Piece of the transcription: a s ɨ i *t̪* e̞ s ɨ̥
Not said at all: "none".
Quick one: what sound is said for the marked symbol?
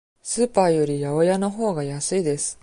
d̪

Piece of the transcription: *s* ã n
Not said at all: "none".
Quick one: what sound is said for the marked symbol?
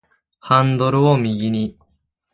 h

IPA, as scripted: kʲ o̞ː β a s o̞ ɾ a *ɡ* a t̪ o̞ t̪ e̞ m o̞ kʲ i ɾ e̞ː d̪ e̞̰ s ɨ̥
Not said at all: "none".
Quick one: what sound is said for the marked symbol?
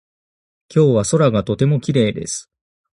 ɡ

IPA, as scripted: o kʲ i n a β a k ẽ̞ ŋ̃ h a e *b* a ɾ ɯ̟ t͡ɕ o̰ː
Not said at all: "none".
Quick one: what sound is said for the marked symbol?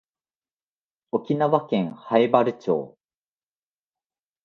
b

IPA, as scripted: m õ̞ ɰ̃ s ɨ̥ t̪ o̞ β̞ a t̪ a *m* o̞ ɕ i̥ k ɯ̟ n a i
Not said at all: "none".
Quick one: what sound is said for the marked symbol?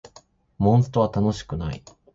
n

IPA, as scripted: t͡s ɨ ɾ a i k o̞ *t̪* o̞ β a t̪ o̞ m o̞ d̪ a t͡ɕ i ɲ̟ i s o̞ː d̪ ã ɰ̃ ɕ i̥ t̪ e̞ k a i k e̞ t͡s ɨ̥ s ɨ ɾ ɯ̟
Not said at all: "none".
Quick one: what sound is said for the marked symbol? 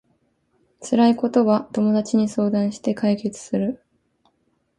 t̪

